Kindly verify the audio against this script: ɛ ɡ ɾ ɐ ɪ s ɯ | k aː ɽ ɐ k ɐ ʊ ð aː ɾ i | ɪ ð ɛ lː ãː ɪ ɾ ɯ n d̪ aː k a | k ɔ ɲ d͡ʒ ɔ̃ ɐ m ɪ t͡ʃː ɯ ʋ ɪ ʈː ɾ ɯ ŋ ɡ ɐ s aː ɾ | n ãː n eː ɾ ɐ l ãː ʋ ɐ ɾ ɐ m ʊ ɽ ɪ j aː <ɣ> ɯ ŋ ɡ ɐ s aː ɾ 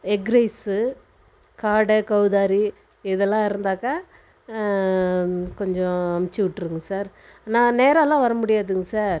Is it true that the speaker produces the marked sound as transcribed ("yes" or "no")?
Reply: no